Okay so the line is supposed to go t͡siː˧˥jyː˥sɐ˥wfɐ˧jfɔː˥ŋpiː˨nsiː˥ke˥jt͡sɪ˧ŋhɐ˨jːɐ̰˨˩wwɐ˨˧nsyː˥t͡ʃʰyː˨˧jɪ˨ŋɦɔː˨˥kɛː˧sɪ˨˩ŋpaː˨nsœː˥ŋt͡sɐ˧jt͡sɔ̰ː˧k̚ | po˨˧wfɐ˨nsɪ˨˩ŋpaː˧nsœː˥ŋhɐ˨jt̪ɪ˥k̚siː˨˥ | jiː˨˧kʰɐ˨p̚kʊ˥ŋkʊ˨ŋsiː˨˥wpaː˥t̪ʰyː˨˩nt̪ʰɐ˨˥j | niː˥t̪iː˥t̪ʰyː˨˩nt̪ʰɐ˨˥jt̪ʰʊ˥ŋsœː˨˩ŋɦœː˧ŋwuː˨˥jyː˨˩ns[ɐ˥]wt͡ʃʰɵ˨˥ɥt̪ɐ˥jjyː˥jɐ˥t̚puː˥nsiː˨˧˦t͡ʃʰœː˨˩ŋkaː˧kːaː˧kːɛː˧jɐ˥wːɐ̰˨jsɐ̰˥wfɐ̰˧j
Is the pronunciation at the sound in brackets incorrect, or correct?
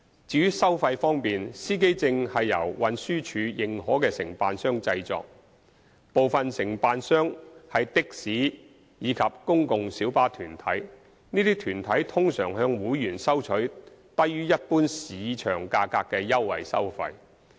correct